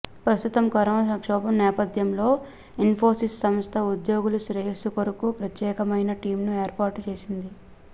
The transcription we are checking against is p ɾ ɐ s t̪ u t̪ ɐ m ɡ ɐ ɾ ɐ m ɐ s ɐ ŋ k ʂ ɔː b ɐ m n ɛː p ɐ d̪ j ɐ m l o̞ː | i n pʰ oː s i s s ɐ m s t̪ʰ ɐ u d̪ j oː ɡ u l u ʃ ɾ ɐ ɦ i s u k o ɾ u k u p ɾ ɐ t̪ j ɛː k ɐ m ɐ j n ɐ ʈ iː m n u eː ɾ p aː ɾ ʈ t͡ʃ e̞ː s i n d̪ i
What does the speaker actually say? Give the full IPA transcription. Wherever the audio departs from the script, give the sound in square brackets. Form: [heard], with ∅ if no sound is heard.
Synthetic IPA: p ɾ ɐ s t̪ u t̪ ɐ m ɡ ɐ ɾ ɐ m ɐ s ɐ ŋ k ʂ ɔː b ɐ m n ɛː p ɐ d̪ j ɐ m l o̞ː | i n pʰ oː s i s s ɐ m s t̪ʰ ɐ u d̪ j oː ɡ u l u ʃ ɾ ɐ ɦ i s u k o ɾ u k u p ɾ ɐ t̪ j ɛː k ɐ m ɐ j n ɐ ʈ iː m n u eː ɾ p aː ɾ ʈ t͡ʃ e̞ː s i n d̪ i